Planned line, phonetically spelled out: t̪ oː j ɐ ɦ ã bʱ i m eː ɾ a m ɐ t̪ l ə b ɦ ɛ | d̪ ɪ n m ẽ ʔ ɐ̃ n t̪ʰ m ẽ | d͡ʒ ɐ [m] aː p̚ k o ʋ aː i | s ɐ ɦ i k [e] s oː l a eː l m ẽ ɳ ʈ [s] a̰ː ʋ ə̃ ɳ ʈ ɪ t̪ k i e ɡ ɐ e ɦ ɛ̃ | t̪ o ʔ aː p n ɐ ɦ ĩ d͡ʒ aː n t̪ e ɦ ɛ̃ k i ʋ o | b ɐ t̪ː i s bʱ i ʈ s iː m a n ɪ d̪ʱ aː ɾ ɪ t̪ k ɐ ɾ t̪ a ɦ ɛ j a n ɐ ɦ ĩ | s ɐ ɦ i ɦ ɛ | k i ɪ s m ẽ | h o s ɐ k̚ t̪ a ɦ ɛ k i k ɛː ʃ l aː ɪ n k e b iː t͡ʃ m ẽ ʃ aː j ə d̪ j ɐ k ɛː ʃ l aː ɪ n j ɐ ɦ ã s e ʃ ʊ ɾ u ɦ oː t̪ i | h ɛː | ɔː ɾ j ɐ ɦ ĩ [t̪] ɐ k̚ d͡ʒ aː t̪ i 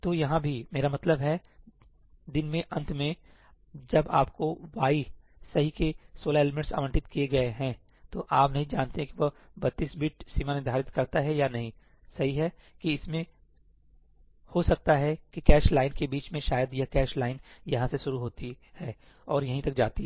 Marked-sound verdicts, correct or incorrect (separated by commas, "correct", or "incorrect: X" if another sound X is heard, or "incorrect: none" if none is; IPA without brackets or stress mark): incorrect: b, correct, correct, correct